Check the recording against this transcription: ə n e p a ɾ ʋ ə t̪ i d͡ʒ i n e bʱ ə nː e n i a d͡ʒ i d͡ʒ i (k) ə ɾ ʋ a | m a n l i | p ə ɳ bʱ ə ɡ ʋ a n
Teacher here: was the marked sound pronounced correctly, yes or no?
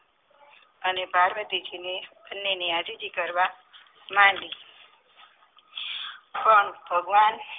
yes